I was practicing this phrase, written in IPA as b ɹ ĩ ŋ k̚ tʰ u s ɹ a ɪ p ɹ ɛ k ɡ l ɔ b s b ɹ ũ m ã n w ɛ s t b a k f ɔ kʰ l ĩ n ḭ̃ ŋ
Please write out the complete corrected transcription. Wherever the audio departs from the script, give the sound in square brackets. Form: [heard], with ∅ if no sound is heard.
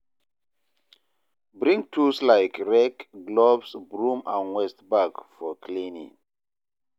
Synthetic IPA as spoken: b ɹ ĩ ŋ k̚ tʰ u s [l] a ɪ [k] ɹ ɛ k ɡ l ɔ b s b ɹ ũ m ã n w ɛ s t b a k f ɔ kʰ l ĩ n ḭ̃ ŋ